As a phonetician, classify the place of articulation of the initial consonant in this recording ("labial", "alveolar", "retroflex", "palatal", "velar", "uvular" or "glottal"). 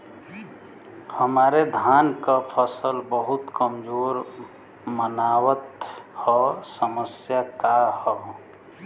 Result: glottal